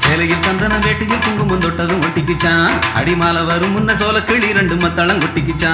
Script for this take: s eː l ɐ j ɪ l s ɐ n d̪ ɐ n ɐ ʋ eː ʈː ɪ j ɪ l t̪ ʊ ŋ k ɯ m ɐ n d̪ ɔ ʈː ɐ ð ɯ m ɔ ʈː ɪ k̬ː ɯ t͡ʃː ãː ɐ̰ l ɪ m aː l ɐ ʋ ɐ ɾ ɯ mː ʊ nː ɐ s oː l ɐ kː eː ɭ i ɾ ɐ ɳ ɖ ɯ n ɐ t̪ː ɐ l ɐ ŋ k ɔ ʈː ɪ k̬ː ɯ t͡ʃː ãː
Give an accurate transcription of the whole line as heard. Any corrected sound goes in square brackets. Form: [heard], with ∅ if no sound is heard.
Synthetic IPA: s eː l ɐ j ɪ l s ɐ n d̪ ɐ n ɐ ʋ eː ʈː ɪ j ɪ l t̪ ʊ ŋ [ɡ] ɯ m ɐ n d̪ ɔ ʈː ɐ ð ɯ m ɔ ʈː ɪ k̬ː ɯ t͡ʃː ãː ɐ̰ [ɽ] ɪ m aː l ɐ ʋ ɐ ɾ ɯ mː ʊ nː ɐ s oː l ɐ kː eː ɭ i ɾ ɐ ɳ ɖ ɯ [m] ɐ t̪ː ɐ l ɐ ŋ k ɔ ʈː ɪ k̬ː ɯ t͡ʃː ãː